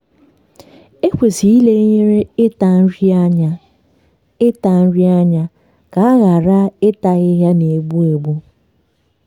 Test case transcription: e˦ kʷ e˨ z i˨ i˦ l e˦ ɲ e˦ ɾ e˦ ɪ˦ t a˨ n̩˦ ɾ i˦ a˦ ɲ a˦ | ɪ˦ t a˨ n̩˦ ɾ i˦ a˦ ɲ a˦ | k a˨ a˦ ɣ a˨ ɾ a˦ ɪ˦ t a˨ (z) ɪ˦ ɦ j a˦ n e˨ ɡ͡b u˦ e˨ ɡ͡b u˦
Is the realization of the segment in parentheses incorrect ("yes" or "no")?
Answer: yes